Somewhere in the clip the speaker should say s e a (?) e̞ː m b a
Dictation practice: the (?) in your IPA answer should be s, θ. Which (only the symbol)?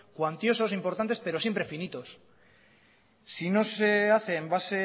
θ